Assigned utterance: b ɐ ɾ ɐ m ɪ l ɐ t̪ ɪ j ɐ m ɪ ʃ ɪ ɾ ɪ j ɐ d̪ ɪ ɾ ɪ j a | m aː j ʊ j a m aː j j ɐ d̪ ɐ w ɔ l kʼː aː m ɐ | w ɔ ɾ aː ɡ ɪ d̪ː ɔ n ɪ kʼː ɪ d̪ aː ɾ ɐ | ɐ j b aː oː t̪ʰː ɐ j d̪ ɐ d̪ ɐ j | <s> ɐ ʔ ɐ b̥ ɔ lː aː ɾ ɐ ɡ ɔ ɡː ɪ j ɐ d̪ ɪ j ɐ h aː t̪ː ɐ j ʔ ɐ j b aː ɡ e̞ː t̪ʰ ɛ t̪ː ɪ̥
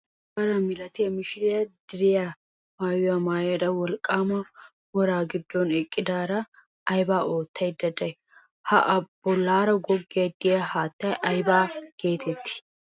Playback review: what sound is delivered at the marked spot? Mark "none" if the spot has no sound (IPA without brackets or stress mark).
h